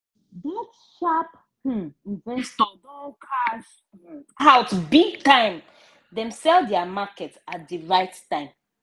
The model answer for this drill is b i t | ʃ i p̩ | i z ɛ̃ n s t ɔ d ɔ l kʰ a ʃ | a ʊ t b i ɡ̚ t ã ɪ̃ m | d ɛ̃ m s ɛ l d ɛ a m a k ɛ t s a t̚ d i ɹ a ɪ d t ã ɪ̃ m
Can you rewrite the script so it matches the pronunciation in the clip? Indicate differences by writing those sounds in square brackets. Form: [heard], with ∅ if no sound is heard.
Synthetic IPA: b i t | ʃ [a] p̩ | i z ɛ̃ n s t ɔ d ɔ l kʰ a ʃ | a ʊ t b i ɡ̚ t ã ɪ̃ m | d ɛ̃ m s ɛ l d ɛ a m a k ɛ t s a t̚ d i ɹ a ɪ [t] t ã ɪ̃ m

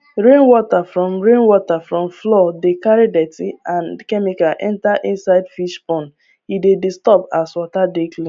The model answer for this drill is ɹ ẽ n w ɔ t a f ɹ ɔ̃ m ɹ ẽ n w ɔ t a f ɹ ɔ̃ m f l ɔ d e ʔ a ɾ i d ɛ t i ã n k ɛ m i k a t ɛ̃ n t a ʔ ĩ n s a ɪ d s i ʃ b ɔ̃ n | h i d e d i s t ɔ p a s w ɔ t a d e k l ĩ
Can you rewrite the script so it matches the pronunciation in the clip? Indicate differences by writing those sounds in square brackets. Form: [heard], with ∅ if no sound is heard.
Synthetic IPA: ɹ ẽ n w ɔ t a f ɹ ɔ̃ m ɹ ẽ n w ɔ t a f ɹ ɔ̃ m f l ɔ d e [k] a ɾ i d ɛ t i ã n k ɛ m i k a [ʔ] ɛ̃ n t a ʔ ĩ n s a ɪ d [f] i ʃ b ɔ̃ n | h i d e d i s t ɔ p a s w ɔ t a d e k l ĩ

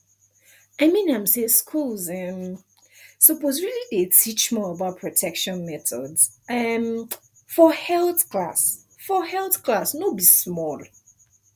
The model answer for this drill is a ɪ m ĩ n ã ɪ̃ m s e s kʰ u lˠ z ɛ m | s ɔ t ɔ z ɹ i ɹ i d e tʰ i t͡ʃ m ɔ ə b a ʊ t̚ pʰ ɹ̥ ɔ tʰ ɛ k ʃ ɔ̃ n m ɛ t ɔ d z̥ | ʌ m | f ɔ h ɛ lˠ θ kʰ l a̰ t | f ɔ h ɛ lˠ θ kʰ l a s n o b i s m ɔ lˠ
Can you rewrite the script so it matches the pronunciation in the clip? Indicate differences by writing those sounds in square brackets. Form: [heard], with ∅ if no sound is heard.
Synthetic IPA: a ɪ m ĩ n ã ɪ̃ m s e s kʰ u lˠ z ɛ m | s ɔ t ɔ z ɹ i [l] i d e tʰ i t͡ʃ m ɔ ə b a ʊ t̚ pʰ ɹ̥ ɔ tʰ ɛ k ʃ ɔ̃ n m ɛ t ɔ d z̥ | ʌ m | f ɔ h ɛ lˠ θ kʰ l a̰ [s] | f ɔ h ɛ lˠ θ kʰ l a s n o b i s m ɔ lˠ

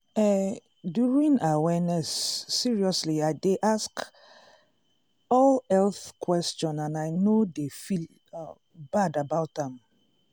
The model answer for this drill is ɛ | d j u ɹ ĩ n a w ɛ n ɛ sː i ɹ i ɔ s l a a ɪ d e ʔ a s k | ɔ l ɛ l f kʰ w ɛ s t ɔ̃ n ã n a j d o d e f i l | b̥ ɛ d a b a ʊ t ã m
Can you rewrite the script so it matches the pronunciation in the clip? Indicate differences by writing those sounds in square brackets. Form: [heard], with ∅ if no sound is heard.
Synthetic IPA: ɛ | d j u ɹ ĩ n a w ɛ n ɛ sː i ɹ i ɔ s l [i] a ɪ d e ʔ a s k | ɔ l ɛ l [θ] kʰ w ɛ s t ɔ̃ n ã n a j [n] o d e f i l | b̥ [a] d a b a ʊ t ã m

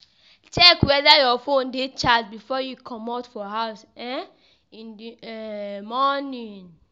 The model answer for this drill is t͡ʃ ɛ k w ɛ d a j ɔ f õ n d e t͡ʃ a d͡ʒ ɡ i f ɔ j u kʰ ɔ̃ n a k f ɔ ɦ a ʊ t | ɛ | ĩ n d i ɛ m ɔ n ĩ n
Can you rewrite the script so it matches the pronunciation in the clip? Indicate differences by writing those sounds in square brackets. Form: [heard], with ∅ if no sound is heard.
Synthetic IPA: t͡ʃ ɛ k w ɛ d a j ɔ f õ n d e t͡ʃ a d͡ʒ [b] i f ɔ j u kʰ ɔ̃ [m] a [t] f ɔ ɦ a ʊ [s] | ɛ | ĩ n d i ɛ m ɔ n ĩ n

